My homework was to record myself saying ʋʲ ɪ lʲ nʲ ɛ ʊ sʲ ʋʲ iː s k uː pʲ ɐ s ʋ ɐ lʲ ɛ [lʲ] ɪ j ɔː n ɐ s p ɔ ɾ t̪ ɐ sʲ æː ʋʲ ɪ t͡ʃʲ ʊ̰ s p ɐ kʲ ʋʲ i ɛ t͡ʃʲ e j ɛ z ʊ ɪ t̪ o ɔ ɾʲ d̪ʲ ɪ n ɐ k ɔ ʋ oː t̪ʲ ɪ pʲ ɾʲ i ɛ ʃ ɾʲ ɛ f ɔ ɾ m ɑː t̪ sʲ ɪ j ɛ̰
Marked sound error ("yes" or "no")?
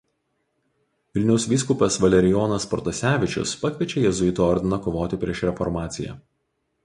yes